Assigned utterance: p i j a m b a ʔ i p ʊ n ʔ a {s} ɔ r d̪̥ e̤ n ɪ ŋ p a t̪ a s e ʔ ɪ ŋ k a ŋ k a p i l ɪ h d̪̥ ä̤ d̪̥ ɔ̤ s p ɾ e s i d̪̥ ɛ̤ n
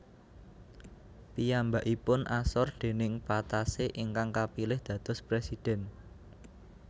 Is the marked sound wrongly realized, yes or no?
no